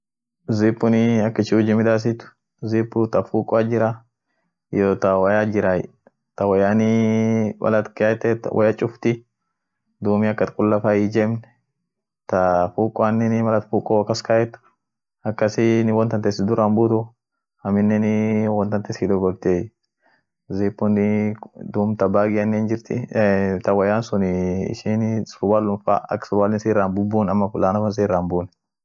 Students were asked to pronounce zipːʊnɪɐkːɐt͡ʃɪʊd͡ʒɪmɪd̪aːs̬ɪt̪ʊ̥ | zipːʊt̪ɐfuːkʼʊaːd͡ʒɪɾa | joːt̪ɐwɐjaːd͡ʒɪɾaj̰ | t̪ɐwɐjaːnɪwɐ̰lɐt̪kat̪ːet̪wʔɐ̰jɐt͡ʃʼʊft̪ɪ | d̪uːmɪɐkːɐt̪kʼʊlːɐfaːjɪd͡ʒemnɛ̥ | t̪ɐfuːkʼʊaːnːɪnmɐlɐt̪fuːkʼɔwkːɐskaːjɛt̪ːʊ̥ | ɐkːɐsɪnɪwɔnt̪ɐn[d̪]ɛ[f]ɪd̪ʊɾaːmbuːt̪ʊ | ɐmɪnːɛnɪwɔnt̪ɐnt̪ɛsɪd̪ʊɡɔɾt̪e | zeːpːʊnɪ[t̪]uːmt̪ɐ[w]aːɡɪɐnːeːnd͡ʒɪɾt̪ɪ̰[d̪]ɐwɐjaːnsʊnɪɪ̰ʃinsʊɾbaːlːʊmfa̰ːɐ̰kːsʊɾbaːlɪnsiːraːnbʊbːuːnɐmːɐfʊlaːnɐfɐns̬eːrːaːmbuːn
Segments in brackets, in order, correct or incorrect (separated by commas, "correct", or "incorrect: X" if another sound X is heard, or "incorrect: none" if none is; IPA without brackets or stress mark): incorrect: t̪, incorrect: s, incorrect: d̪, incorrect: b, incorrect: t̪